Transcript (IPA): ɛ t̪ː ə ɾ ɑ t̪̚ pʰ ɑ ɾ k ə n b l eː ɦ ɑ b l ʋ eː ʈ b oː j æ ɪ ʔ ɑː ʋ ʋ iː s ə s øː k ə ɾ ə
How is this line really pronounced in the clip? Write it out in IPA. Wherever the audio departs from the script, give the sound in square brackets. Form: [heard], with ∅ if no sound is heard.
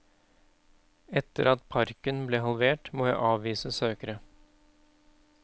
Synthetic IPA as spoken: ɛ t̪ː ə ɾ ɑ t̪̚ pʰ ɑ ɾ k ə n b l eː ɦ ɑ [∅] l ʋ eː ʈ [m] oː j æ ɪ ʔ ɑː ʋ ʋ iː s ə s øː k ə ɾ ə